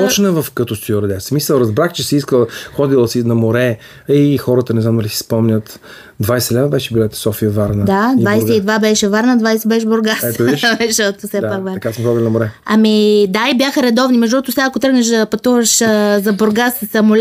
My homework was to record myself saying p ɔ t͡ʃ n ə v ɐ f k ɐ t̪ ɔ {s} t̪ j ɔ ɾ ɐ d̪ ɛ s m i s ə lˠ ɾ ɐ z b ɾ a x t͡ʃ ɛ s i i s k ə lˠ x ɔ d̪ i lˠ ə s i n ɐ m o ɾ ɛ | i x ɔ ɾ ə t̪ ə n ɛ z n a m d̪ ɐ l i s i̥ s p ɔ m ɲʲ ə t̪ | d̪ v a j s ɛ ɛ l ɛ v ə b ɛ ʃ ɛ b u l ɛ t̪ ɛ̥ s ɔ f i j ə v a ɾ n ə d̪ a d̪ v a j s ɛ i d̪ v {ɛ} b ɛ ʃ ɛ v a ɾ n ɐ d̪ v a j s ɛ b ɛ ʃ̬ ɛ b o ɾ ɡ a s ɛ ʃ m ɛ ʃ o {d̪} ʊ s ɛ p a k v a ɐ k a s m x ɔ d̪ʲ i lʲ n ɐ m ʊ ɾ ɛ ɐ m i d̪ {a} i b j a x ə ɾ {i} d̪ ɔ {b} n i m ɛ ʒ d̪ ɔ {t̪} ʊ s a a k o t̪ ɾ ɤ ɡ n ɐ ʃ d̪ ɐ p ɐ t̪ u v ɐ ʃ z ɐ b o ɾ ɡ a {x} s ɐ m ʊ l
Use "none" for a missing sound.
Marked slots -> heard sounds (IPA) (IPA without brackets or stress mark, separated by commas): s, a, t̪, a, ɛ, v, t̪, s